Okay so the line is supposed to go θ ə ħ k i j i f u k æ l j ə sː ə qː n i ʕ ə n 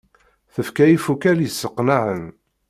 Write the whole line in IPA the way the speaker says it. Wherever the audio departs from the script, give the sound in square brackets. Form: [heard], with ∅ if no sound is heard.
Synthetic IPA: θ ə [f] k [æ] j i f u k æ l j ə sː ə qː n [a] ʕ ə n